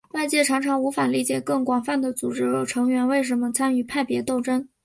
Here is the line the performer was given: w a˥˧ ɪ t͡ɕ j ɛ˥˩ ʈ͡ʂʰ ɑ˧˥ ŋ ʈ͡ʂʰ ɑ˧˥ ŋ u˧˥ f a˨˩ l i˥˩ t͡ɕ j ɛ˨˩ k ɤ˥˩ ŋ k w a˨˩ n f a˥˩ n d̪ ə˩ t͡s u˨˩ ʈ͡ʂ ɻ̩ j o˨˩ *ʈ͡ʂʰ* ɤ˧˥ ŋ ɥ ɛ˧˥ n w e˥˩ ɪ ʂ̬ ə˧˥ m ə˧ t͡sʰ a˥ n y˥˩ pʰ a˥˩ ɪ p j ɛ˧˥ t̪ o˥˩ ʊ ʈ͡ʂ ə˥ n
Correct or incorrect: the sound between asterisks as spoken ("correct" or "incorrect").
correct